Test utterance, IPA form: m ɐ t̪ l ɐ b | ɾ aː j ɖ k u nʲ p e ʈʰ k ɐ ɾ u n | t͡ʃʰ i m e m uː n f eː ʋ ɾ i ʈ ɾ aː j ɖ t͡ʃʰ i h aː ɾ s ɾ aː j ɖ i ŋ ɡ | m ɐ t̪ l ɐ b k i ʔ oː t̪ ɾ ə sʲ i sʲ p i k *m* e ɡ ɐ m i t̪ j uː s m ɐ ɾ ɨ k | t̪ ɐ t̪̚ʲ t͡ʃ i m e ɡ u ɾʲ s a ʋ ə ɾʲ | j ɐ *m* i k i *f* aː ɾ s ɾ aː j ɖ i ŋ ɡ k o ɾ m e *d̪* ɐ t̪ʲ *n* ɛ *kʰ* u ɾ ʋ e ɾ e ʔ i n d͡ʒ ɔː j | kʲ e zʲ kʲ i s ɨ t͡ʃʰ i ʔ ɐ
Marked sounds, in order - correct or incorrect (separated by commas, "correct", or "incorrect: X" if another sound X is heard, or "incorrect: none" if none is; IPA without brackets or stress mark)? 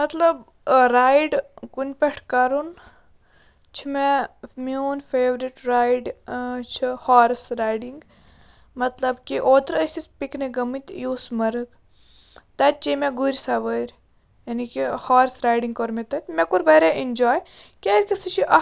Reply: incorrect: n, incorrect: n, incorrect: h, incorrect: t̪, incorrect: m, incorrect: k